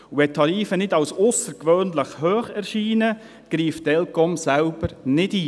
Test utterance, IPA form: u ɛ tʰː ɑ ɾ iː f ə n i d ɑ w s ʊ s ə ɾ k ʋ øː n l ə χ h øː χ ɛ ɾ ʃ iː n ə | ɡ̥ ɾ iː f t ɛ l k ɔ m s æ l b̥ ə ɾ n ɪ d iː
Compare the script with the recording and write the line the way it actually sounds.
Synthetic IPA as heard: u ɛ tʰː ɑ ɾ iː f ə n ɪ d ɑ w s ʊ s ə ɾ k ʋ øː n l ə χ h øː χ ɛ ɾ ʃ iː n ə | ɡ̥ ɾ iː f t ɛ l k ɔ m s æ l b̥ ə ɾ n ɪ d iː